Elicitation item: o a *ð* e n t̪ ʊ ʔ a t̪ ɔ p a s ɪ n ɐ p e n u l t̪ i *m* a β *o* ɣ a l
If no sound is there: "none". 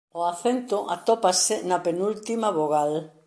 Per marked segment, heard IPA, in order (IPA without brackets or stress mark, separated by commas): θ, m, o